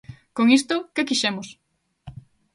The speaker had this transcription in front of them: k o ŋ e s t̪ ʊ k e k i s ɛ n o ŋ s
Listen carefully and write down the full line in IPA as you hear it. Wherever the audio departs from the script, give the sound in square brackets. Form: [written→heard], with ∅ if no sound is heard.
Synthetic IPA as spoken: k o ŋ [e→i] s t̪ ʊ k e k i [s→ʃ] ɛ [n→m] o [ŋ→∅] s